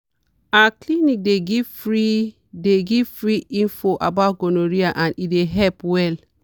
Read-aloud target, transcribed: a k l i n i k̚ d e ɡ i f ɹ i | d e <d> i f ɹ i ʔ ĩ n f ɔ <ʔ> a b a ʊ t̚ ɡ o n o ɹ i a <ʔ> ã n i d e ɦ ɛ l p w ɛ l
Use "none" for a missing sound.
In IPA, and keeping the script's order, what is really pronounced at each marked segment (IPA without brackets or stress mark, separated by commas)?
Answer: ɡ, ʔ, ʔ